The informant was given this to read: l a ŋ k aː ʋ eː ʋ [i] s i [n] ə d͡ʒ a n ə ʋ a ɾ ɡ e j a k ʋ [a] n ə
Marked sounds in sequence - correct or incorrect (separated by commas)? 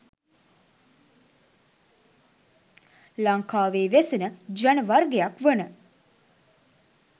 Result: incorrect, correct, incorrect